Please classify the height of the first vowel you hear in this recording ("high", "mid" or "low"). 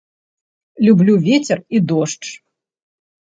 high